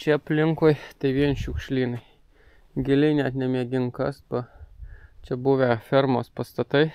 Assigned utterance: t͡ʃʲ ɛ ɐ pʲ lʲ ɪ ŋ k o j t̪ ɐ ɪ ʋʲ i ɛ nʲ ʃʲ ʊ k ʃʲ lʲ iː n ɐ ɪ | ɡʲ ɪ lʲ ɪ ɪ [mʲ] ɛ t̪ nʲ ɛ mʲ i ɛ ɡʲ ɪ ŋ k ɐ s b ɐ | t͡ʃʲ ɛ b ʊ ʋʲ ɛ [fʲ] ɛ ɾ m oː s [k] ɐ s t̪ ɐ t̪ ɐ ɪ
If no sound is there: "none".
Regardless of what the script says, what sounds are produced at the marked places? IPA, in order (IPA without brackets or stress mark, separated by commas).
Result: nʲ, fʲ, p